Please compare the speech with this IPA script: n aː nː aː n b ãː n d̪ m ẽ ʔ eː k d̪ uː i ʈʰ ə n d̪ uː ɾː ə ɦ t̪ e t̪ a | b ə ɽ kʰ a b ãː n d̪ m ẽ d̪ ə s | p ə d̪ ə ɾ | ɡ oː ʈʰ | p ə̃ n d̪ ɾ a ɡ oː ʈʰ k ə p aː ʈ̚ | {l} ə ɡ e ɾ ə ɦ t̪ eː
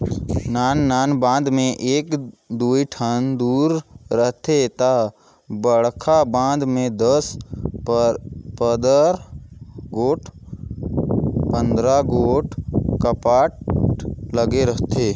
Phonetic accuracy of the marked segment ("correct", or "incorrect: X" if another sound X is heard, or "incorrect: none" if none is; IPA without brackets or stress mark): correct